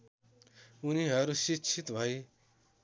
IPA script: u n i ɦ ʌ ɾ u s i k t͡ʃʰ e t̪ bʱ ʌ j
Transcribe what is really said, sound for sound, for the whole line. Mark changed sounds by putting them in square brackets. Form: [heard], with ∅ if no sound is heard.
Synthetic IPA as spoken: u n i ɦ ʌ ɾ u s i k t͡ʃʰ [i] t̪ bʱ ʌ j